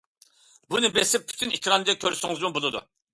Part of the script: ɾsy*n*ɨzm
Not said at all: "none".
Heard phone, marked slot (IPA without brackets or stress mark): ŋ